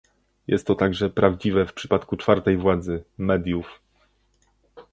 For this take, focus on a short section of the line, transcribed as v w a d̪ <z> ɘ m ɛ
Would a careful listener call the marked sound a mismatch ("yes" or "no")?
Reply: no